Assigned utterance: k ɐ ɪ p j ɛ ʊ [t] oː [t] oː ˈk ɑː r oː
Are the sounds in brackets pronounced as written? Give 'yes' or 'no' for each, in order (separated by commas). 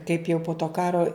no, yes